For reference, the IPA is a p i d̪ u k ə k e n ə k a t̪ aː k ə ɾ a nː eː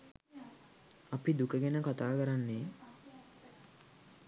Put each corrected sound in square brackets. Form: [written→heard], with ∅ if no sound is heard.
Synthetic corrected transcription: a p i d̪ u k ə [k→ɡ] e n ə k a t̪ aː k ə ɾ a nː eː